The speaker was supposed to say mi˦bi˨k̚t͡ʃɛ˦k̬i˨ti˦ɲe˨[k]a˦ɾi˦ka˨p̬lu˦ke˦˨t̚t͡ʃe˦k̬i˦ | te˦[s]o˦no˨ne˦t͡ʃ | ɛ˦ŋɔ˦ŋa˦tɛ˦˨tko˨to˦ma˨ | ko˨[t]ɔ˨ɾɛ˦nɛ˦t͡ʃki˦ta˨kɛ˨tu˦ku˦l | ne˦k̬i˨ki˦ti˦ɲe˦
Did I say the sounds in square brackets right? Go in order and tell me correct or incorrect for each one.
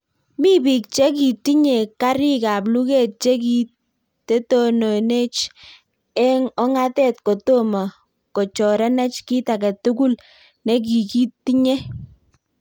correct, incorrect: t, incorrect: t͡ʃ

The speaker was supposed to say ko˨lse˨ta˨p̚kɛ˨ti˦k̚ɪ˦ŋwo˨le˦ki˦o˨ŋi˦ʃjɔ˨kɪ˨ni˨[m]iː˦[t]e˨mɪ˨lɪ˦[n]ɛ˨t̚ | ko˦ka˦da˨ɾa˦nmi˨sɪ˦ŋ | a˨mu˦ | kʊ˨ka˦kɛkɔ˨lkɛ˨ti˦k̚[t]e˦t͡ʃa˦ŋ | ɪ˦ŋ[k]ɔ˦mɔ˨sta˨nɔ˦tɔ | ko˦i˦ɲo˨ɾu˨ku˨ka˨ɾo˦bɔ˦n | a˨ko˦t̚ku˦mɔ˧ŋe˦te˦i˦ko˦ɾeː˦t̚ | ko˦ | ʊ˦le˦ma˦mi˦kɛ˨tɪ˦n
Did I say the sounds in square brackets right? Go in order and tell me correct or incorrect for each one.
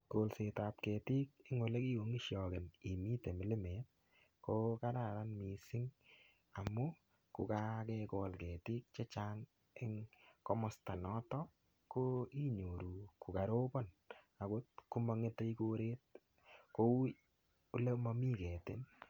correct, correct, incorrect: m, incorrect: t͡ʃ, correct

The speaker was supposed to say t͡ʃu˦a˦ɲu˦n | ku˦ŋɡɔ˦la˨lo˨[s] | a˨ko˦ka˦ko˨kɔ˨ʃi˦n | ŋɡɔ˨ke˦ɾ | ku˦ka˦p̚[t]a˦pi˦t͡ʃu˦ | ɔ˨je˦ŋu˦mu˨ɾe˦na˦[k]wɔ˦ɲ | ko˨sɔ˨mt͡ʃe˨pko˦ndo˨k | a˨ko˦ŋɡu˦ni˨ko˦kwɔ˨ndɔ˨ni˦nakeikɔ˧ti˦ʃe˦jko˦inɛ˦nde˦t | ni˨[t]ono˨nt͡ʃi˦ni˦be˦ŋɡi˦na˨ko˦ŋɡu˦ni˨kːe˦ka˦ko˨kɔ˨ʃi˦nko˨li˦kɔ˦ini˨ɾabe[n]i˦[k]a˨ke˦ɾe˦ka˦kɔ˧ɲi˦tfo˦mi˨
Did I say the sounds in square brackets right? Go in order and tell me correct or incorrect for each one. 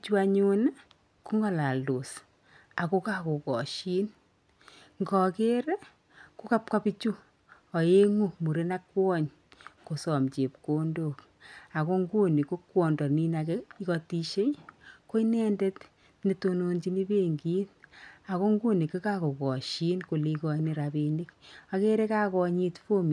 correct, incorrect: k, correct, correct, correct, correct

